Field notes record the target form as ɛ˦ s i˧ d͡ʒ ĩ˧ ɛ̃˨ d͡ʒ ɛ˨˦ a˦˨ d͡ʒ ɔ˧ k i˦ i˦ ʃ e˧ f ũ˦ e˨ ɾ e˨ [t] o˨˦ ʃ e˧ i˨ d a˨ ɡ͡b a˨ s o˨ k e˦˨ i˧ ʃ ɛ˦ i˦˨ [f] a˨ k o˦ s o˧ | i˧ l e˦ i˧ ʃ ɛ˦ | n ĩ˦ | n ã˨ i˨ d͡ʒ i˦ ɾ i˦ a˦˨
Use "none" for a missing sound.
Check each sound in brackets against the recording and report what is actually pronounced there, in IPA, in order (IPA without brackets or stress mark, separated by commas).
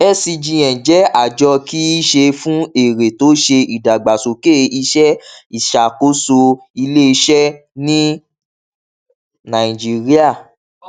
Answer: t, ʃ